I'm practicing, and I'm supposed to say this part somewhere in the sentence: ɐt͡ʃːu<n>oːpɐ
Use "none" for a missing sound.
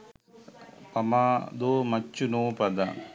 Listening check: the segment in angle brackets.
n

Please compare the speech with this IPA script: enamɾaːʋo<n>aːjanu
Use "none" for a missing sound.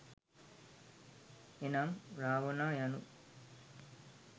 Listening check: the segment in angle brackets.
n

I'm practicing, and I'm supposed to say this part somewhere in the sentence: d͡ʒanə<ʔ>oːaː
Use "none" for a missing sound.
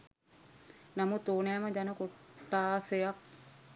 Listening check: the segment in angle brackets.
k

